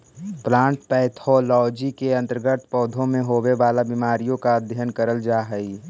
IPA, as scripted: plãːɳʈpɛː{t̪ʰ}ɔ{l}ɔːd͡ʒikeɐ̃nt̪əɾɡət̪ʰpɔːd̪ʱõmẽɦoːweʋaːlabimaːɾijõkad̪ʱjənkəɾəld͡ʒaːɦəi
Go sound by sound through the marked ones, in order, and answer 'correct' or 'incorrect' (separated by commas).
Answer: correct, correct